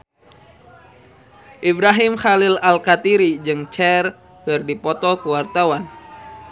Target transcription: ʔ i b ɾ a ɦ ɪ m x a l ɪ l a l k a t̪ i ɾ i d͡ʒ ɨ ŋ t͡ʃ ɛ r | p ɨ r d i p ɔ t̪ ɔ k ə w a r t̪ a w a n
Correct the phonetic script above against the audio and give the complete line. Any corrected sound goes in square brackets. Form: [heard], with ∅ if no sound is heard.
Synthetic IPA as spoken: ʔ i b ɾ a ɦ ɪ m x a l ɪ l a l k a t̪ i ɾ i d͡ʒ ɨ ŋ t͡ʃ ɛ r | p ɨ r d i p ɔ t̪ ɔ k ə w a r t̪ a w a n